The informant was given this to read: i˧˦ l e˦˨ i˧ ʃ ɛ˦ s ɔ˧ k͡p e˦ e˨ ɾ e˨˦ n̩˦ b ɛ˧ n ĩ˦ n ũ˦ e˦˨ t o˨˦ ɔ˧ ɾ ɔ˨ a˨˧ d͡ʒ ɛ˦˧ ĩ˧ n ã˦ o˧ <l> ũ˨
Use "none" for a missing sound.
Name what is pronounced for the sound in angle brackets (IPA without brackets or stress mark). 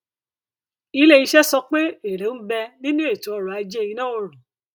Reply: ɾ